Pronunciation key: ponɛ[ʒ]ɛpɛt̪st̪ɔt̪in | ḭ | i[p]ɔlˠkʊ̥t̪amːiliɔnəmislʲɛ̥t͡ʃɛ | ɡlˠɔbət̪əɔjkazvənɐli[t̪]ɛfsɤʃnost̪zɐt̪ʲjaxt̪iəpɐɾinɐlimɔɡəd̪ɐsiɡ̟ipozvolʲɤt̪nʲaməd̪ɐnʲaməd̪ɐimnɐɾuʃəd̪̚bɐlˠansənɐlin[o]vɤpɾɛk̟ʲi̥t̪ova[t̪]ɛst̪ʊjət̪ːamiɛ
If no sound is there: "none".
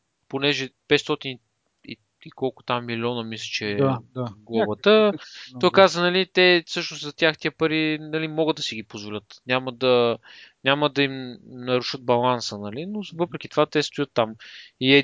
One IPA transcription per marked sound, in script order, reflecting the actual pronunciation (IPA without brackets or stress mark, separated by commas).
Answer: ʒ, k, t̪, o, t̪